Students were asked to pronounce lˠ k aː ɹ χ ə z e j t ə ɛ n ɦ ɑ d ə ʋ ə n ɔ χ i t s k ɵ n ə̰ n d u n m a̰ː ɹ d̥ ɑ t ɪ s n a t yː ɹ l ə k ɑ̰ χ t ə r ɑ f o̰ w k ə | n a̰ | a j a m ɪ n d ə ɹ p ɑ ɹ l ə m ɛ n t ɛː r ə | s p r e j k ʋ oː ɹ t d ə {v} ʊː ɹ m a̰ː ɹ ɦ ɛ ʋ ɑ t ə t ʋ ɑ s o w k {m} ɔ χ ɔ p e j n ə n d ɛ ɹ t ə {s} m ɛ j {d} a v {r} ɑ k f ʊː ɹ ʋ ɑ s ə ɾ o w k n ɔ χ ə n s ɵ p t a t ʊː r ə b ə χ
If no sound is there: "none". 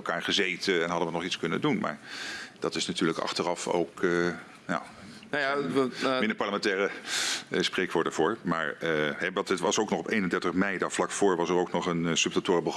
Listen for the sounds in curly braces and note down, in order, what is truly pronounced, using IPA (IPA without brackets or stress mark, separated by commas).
v, n, χ, d, l